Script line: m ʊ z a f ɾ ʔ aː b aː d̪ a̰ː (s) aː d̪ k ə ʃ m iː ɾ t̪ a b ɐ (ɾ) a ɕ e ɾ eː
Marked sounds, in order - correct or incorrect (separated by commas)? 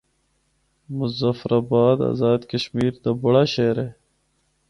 incorrect, incorrect